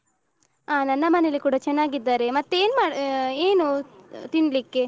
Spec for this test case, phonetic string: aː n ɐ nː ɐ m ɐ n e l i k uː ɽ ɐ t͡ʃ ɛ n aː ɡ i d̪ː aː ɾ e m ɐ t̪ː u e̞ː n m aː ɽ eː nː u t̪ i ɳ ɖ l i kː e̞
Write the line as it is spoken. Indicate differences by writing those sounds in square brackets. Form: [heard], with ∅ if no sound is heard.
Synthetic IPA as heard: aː n ɐ nː ɐ m ɐ n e l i k uː ɽ ɐ t͡ʃ ɛ [nː] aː ɡ i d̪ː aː ɾ e m ɐ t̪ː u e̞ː n m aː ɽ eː [n] u t̪ i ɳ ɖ l i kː e̞